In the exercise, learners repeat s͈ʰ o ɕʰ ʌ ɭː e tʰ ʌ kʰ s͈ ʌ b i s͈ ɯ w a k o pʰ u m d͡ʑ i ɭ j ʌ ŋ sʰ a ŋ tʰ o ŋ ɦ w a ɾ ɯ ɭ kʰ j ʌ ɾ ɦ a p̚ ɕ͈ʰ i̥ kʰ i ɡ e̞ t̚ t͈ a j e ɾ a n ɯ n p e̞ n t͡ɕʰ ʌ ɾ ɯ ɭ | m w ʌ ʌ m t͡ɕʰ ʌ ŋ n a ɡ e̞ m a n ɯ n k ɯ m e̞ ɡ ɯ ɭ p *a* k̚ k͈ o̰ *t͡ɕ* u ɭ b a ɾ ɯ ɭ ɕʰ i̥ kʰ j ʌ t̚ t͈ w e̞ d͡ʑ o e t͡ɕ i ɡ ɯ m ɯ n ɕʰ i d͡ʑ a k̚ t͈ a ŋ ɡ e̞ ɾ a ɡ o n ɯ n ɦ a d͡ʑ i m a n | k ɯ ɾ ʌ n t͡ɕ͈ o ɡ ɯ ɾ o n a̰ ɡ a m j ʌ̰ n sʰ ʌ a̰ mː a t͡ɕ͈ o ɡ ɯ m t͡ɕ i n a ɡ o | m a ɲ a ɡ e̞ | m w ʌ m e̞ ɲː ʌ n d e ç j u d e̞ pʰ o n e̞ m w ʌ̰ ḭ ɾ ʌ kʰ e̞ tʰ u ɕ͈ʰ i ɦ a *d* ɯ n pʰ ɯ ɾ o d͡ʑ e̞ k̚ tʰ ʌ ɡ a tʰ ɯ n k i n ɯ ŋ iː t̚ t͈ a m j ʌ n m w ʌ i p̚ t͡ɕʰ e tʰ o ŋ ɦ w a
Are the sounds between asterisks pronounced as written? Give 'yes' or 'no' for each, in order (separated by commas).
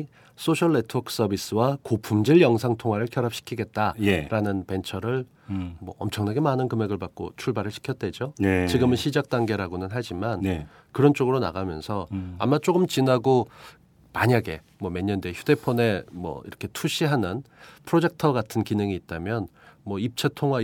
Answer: yes, no, no